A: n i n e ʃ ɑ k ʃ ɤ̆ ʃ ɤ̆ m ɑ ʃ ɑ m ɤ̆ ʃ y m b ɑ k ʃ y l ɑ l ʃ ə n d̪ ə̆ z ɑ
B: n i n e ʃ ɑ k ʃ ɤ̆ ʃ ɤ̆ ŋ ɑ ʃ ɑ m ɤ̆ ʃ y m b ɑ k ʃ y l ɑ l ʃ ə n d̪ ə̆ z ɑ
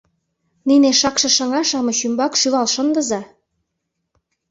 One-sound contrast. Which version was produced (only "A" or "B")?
B